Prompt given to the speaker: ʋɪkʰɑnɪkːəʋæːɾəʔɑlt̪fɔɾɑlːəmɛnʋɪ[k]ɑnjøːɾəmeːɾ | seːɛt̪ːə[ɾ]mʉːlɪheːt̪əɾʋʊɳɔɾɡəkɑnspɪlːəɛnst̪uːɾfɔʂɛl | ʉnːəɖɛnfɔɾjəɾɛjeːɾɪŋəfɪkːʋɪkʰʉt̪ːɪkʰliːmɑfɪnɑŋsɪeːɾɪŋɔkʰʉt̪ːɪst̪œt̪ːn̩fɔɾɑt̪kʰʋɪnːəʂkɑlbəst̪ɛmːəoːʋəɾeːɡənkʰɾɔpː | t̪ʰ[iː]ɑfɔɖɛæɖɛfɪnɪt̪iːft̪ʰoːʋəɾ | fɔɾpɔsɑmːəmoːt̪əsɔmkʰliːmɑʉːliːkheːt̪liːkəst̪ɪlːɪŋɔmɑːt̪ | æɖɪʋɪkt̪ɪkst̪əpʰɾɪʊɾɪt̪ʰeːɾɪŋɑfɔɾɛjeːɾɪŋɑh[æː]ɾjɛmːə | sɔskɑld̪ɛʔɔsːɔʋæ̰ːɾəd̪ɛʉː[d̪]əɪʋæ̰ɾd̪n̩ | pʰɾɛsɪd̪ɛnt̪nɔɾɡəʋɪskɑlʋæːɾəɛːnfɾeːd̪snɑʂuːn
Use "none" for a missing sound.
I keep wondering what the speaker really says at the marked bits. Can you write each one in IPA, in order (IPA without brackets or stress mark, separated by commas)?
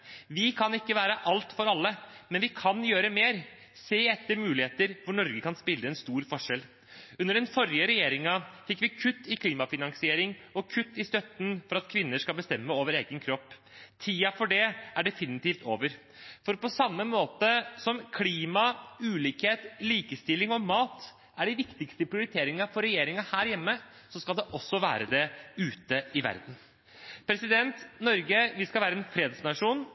kʰ, ɾ, iː, æː, t̪